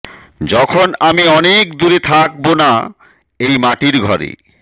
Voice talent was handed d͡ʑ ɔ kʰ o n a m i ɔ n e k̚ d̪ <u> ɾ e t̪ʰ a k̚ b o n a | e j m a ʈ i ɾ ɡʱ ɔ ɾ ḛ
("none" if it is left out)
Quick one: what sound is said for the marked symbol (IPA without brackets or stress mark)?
u